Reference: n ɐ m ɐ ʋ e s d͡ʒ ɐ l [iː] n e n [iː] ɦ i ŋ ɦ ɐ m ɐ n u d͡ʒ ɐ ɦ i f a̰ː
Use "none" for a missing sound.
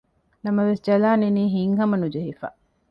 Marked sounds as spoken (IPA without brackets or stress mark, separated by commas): aː, iː